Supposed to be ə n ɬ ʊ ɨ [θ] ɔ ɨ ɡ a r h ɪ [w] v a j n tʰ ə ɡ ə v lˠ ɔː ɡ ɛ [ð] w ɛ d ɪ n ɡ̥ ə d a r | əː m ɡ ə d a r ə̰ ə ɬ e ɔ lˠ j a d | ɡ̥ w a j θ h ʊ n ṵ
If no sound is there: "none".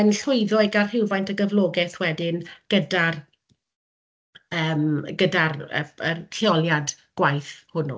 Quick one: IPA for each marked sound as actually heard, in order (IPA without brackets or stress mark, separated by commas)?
ð, w, θ